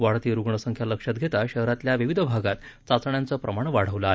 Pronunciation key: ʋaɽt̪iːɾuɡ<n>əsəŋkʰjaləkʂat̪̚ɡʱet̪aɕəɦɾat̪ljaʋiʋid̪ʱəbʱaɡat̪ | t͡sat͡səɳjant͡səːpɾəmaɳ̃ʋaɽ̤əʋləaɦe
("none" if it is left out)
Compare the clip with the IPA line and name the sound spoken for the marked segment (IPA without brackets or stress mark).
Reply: ɳ